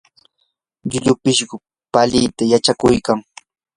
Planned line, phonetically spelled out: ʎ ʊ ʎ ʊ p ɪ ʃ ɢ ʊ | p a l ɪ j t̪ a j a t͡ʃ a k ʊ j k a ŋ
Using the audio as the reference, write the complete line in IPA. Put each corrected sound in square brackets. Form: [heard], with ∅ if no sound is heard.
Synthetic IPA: ʎ ʊ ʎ ʊ p ɪ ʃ ɢ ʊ | p a l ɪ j t̪ a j a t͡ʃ a k ʊ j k a ŋ